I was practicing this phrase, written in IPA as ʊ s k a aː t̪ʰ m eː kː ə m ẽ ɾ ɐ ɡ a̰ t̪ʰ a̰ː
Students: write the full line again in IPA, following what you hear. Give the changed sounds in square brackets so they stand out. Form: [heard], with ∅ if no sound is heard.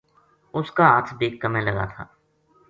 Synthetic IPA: ʊ s k a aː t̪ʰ [b] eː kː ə m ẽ [l] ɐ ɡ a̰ t̪ʰ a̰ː